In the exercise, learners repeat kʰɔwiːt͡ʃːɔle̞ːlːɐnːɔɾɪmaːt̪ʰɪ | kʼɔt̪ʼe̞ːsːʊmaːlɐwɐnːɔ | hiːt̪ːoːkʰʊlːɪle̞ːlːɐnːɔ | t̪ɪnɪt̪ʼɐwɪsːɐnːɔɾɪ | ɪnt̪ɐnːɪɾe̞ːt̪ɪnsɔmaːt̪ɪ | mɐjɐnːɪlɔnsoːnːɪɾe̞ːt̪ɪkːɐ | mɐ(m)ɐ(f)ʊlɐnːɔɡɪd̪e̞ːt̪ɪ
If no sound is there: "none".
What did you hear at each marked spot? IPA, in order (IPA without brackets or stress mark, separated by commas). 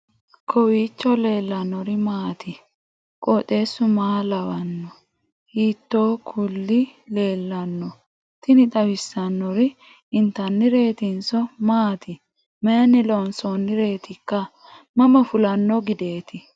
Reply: m, f